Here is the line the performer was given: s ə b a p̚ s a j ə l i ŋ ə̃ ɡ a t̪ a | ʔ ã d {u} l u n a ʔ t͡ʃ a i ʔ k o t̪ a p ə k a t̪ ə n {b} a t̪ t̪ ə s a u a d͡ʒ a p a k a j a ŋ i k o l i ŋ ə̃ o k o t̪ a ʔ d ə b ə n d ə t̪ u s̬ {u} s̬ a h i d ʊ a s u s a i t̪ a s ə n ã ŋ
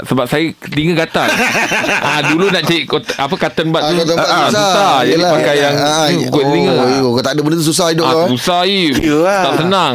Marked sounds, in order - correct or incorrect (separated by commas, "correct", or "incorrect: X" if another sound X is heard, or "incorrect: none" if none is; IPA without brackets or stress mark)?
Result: correct, correct, correct